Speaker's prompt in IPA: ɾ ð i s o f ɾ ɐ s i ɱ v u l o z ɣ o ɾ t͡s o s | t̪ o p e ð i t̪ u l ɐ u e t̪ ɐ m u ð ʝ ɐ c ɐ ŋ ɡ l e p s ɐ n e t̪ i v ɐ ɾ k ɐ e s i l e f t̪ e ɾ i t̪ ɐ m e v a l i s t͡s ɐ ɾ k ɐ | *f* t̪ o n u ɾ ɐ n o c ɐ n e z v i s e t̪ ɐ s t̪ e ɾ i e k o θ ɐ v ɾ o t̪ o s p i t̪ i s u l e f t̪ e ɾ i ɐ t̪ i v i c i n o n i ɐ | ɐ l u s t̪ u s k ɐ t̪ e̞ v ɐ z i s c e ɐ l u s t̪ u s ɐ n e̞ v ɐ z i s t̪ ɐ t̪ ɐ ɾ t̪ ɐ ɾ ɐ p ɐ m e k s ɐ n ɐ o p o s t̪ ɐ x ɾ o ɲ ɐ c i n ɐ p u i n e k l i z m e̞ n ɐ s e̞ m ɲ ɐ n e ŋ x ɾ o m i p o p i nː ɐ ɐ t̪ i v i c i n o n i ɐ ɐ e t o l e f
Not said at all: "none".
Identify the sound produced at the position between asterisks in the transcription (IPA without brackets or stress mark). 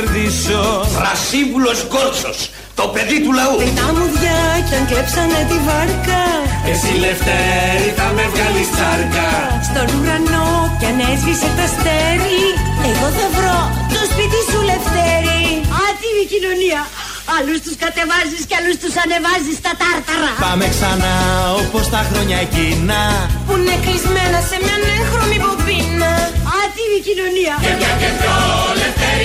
s